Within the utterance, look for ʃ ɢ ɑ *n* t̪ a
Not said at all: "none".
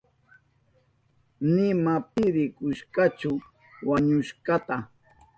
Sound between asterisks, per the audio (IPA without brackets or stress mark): none